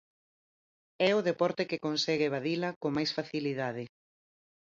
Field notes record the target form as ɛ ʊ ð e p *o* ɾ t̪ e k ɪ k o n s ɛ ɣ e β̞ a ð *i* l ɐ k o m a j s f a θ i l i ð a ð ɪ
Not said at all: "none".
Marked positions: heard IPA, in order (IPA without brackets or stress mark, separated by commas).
ɔ, i